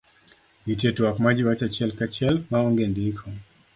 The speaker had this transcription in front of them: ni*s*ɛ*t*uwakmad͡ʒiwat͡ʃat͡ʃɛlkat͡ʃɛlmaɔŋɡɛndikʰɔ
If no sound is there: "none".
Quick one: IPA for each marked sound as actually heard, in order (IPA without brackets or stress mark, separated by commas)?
t, t